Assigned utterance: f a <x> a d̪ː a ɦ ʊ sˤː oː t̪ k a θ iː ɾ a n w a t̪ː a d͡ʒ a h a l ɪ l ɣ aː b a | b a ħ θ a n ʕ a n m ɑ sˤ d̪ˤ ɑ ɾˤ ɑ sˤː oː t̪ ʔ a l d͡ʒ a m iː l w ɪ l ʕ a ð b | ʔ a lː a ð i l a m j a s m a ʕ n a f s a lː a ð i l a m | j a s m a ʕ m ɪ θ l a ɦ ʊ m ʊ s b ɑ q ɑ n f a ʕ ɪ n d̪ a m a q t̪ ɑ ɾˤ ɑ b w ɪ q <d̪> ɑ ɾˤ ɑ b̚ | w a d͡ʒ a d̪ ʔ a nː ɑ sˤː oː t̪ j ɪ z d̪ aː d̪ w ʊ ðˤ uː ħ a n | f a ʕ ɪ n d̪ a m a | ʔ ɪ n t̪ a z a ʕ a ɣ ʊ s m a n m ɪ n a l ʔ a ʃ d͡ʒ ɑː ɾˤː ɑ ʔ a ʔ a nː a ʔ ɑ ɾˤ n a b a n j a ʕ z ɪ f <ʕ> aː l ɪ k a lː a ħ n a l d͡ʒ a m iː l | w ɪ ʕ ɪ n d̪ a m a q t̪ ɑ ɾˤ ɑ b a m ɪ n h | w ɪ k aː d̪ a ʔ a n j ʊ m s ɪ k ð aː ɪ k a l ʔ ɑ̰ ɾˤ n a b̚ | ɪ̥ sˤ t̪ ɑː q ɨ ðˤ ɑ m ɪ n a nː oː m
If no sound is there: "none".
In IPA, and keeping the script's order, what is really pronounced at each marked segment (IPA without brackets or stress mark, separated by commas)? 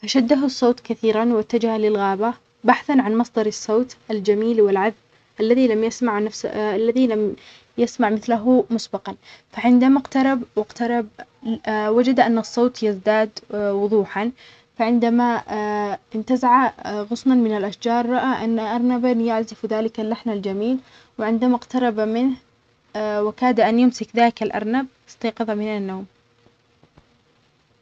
ʃ, t̪, ð